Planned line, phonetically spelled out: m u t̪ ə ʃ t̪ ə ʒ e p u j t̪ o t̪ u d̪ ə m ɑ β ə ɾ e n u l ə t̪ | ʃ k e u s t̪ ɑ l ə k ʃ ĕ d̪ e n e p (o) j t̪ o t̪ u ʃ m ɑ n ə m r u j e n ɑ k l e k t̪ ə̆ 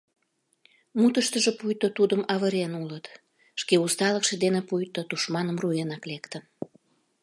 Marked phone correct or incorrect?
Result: incorrect: u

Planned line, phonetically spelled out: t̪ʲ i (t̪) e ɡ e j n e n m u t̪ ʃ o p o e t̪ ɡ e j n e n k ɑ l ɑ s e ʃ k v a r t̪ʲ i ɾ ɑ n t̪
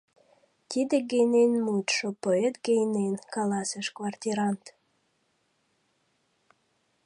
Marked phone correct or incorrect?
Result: incorrect: d̪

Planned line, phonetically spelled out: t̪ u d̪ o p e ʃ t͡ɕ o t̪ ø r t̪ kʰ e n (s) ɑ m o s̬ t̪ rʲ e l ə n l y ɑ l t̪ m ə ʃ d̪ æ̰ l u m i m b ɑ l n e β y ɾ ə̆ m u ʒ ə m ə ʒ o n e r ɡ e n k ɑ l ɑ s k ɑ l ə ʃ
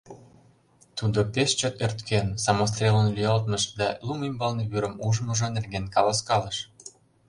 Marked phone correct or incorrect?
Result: correct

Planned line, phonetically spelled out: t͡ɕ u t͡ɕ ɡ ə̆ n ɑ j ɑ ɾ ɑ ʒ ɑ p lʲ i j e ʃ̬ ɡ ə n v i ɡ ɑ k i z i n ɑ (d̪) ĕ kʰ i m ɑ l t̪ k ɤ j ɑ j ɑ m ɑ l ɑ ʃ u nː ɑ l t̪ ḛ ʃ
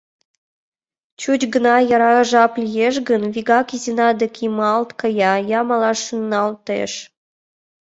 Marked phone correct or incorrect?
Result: correct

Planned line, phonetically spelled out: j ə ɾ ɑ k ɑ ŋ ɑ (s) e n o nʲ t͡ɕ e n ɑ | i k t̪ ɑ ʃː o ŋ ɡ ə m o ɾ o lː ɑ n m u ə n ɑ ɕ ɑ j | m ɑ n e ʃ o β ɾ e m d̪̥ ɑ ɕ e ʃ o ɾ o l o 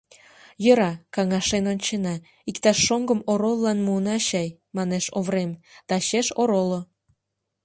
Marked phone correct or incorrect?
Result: incorrect: ʃ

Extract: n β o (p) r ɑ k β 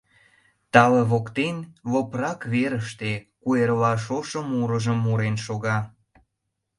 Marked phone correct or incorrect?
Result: correct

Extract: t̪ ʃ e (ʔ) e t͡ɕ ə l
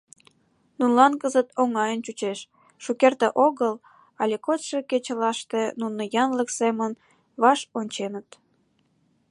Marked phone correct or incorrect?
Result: incorrect: k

